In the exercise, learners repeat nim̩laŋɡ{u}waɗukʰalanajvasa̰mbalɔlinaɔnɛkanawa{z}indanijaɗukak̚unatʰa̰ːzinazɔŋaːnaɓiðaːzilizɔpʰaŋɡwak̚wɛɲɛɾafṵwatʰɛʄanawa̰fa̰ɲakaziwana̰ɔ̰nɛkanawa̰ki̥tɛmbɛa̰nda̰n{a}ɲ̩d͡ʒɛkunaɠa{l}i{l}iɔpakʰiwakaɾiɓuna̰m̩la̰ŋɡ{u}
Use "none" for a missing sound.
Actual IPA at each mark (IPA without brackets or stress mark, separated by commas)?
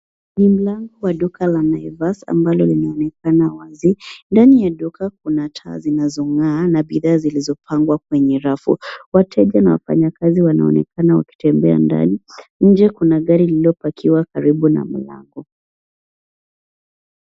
ɔ, z, i, ɾ, l, ɔ